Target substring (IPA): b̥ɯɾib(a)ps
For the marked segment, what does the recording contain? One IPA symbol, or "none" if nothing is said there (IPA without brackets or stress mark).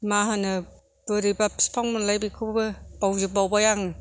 a